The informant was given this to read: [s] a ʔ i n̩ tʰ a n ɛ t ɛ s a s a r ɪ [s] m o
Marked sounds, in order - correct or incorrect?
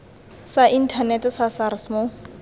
correct, correct

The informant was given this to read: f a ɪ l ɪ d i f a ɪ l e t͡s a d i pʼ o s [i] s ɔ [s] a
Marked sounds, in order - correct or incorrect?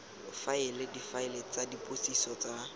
correct, incorrect: t͡s

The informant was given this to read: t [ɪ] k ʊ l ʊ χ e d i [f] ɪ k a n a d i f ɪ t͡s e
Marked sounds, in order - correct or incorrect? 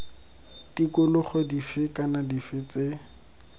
incorrect: i, correct

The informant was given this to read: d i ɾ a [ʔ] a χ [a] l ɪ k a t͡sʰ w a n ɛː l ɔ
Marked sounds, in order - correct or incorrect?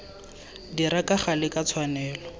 incorrect: k, correct

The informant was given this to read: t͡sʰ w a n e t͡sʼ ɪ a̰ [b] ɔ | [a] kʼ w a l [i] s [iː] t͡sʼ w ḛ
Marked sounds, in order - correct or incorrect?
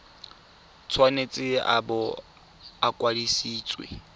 correct, correct, correct, correct

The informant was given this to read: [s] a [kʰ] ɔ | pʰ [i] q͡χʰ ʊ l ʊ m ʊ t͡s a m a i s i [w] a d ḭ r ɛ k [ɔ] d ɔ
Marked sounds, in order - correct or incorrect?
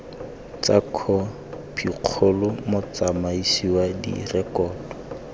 incorrect: t͡s, correct, correct, correct, incorrect: ɔː

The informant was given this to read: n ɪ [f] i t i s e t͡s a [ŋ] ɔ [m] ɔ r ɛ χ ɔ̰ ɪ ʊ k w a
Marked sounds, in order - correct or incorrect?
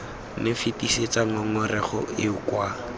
correct, correct, incorrect: ŋ

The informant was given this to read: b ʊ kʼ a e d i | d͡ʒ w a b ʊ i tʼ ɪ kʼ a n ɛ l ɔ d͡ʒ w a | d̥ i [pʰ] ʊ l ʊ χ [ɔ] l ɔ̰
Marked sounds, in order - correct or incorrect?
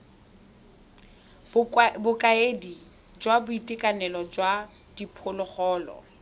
correct, incorrect: ɔː

